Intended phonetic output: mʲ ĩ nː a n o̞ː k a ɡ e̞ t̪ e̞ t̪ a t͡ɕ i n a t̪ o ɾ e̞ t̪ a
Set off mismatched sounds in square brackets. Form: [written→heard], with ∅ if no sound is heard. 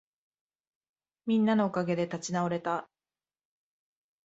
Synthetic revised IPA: mʲ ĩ nː a n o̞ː k a ɡ e̞ [t̪→d̪] e̞ t̪ a t͡ɕ i n a [t̪→∅] o ɾ e̞ t̪ a